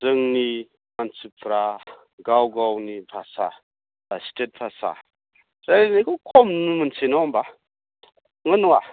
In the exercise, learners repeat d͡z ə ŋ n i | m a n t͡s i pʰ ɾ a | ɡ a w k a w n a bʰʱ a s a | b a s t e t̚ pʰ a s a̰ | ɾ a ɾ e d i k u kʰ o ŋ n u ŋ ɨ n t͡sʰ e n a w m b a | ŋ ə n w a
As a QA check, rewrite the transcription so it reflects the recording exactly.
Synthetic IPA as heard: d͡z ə ŋ n i | m a n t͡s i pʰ ɾ a | ɡ a w ɡ a w n i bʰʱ a s a | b a s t e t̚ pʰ a s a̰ | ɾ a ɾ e n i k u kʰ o m n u m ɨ n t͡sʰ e n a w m b a | ŋ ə n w a